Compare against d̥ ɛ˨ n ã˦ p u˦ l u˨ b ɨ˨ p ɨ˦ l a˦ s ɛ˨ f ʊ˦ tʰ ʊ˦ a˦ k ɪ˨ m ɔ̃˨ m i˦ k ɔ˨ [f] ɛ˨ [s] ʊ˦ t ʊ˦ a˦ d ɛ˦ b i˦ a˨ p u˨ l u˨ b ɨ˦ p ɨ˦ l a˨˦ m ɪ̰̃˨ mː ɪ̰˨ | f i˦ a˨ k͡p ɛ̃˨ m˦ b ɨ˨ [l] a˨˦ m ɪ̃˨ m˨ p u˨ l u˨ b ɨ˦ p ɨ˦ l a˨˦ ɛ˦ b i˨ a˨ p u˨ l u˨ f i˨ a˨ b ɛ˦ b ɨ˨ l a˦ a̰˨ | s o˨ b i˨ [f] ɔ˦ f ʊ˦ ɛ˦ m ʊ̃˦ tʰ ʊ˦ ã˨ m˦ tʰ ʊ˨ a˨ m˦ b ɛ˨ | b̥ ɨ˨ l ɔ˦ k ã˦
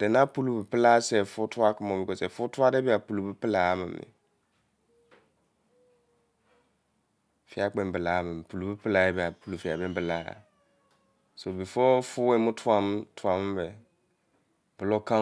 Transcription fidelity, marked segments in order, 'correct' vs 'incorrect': incorrect, incorrect, correct, correct

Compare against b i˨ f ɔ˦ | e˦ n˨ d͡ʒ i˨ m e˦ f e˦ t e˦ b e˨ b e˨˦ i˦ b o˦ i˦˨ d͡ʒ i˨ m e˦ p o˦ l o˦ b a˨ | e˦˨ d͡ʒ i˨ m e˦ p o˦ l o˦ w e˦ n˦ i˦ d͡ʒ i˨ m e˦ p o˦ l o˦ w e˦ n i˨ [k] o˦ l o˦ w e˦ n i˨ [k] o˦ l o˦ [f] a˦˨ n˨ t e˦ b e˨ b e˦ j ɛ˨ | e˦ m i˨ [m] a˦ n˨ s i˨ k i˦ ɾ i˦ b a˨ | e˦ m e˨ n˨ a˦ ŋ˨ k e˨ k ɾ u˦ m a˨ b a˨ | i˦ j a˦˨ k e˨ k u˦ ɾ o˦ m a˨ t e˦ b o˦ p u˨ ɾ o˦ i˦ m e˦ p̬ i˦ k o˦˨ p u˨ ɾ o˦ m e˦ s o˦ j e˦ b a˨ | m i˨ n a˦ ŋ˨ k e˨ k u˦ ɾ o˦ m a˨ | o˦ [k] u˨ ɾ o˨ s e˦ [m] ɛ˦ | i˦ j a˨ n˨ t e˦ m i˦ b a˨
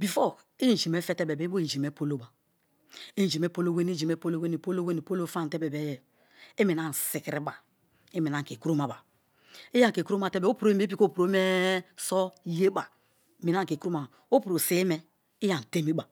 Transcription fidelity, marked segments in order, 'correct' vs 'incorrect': incorrect, incorrect, correct, incorrect, incorrect, correct

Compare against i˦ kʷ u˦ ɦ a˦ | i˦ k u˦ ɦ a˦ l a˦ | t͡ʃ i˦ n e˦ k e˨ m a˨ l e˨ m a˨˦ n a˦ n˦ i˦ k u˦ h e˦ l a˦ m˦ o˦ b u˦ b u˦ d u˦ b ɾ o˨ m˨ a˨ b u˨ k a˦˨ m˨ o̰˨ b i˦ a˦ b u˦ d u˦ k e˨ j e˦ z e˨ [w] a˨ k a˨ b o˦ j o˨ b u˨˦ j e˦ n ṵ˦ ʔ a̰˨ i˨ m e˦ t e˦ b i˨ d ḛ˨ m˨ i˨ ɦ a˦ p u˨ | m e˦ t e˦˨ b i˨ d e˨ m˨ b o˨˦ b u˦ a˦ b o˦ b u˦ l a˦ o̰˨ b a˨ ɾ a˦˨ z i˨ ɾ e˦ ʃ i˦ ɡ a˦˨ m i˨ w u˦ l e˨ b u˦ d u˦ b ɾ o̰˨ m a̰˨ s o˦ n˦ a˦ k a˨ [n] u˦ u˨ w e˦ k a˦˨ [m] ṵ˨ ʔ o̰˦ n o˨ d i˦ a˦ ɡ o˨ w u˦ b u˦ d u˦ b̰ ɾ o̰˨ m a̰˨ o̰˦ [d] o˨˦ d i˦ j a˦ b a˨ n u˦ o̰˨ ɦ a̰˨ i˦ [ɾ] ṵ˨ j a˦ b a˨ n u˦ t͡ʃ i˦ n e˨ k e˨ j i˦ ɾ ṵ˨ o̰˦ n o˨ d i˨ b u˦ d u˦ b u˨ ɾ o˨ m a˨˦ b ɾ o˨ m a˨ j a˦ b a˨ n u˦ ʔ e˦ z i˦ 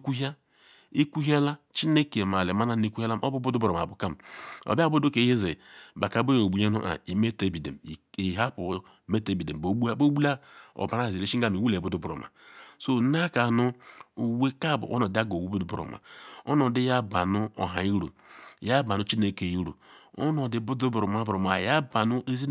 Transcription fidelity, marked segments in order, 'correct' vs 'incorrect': incorrect, correct, incorrect, incorrect, correct

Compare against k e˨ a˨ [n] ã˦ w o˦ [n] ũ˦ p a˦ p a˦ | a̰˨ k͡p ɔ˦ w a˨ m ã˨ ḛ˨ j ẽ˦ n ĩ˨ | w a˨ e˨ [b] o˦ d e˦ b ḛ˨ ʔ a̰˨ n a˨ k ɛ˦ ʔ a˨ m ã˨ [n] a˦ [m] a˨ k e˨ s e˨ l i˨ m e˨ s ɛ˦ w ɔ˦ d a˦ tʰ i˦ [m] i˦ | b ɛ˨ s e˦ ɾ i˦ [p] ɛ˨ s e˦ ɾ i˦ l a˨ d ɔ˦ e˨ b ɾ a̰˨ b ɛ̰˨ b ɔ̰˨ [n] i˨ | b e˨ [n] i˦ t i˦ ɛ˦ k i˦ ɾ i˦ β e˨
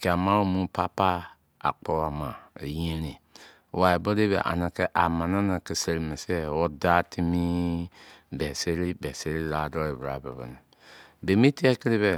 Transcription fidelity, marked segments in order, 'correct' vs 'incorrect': incorrect, incorrect, correct, correct, incorrect, correct, incorrect, correct, incorrect

